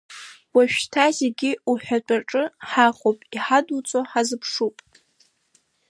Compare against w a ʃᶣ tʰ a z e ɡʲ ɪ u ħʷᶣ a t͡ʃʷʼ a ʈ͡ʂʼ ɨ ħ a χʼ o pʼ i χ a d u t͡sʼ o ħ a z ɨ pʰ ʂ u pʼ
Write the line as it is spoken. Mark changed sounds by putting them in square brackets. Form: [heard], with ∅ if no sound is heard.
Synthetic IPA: w a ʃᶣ tʰ a z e ɡʲ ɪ u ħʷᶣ a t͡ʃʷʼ a ʈ͡ʂʼ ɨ ħ a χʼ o pʼ i [ħ] a d u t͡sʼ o ħ a z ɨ pʰ ʂ u pʼ